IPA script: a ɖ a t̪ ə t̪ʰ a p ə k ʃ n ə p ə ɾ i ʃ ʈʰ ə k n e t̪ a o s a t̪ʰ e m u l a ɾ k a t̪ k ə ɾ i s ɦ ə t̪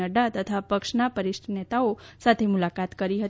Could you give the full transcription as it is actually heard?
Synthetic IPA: ə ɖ a t̪ ə t̪ʰ a p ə k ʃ n a p ə ɾ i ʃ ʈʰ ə n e t̪ a o s a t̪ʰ e m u l a k a t̪ k ə ɾ i ɦ ə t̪